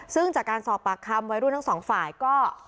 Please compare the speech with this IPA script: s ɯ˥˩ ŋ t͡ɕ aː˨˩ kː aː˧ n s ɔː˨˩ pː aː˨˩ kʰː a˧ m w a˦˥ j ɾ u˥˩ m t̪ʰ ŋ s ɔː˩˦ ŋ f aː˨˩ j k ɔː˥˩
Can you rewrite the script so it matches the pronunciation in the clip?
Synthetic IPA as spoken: s ɯ˥˩ ŋ t͡ɕ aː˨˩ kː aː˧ n s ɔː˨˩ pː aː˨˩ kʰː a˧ m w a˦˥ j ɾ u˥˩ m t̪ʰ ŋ s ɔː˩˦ ŋ f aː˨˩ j k ɔː˥˩